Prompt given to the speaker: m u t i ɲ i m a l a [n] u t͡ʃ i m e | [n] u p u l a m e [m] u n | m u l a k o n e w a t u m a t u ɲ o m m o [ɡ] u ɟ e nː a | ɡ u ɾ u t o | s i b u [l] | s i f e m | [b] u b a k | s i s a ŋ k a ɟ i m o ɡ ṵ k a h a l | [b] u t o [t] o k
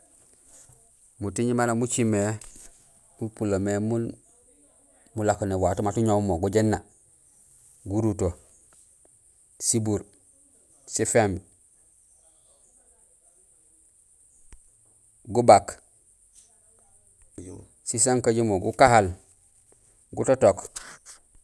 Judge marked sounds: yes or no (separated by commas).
no, no, yes, yes, no, no, no, yes